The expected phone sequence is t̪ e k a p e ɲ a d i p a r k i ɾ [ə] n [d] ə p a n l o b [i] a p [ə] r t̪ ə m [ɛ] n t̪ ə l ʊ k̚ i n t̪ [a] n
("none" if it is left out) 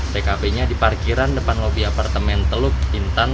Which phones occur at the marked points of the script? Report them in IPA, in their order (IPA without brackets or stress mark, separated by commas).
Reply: a, d, i, a, ɛ, a